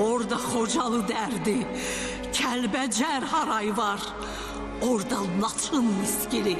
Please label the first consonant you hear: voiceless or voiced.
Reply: voiced